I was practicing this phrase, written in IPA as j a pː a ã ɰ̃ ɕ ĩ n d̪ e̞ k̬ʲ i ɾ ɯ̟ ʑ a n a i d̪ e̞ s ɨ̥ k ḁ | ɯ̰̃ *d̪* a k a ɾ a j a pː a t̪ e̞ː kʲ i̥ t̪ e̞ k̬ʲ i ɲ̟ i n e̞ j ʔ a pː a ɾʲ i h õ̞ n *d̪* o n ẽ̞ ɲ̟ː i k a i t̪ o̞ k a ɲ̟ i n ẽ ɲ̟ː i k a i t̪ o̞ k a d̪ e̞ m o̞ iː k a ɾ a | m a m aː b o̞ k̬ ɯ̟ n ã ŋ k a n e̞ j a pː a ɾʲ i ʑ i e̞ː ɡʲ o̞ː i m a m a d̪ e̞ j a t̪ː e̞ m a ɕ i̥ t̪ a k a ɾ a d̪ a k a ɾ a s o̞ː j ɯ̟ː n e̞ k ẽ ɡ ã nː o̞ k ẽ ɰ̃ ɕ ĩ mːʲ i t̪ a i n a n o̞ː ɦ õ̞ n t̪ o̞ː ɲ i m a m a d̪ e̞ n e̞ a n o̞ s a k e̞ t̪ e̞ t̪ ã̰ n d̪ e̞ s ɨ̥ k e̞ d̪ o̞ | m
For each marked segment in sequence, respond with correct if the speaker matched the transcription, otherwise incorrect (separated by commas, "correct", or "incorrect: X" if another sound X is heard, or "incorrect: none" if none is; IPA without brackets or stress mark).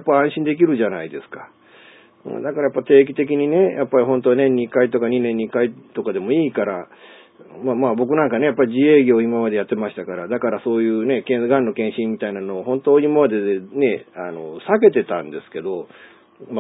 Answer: correct, incorrect: t̪